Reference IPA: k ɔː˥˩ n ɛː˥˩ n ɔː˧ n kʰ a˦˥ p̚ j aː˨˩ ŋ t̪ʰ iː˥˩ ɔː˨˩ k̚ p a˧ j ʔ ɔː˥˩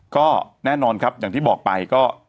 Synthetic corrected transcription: k ɔː˥˩ n ɛː˥˩ n ɔː˧ n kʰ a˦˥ p̚ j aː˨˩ ŋ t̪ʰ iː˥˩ ɔː˨˩ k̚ p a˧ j k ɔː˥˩

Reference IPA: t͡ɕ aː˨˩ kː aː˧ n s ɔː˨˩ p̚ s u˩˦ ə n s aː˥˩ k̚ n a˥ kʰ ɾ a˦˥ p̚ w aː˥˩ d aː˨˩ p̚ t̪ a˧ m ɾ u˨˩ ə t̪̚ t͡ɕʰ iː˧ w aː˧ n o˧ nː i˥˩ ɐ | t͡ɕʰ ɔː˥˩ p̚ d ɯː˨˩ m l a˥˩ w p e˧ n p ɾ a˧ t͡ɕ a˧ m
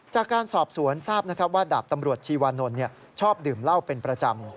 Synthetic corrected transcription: t͡ɕ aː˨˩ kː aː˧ n s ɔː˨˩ p̚ s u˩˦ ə n s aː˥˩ p̚ n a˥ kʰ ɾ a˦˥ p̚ w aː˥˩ d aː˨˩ p̚ t̪ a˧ m ɾ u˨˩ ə t̪̚ t͡ɕʰ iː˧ w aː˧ n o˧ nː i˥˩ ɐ | t͡ɕʰ ɔː˥˩ p̚ d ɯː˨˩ m l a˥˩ w p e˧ n p ɾ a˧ t͡ɕ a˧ m

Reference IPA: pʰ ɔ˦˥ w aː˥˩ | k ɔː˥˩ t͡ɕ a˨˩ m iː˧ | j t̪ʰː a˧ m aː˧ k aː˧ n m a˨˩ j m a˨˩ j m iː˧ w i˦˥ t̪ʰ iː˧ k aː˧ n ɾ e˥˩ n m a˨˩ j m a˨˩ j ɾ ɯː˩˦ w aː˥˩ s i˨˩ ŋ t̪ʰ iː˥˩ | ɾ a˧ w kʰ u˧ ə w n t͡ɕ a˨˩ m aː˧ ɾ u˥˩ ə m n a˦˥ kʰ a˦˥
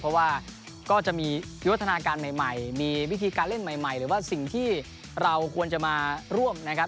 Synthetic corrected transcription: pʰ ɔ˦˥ w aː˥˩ | k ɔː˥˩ t͡ɕ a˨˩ m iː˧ | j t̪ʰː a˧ n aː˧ k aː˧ n m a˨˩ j m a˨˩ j m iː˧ w i˦˥ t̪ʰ iː˧ k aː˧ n l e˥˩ n m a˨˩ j m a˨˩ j ɾ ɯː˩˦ w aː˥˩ s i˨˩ ŋ t̪ʰ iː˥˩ | ɾ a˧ w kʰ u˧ ə n t͡ɕ a˨˩ m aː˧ ɾ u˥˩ ə m n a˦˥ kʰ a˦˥

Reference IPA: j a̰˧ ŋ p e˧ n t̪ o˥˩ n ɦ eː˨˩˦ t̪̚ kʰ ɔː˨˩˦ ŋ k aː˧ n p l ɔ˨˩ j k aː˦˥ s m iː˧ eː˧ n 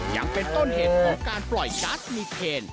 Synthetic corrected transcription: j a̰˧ ŋ p e˧ n t̪ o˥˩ n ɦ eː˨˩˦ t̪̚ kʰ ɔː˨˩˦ ŋ k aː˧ n p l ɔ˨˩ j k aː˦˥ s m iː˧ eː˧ n

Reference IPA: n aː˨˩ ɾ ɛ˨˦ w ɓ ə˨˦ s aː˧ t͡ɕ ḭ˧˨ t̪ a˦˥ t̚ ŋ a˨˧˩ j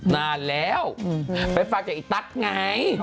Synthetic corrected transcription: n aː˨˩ l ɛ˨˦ w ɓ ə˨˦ f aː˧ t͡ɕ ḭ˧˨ t̪ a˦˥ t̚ ŋ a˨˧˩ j

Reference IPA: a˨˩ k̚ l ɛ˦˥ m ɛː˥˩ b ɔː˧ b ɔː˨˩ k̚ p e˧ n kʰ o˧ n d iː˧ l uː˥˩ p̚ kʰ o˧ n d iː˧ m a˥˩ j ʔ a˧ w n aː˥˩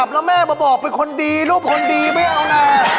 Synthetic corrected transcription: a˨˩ p̚ l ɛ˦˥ m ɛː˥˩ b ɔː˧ b ɔː˨˩ k̚ p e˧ n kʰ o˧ n d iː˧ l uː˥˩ p̚ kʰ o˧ n d iː˧ m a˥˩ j ʔ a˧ w n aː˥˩

